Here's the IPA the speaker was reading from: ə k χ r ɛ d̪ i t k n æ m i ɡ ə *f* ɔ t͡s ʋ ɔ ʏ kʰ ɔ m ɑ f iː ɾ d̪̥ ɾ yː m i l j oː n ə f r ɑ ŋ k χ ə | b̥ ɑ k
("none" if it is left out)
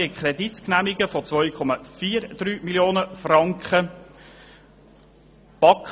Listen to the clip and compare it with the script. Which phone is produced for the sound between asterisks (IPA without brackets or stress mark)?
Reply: f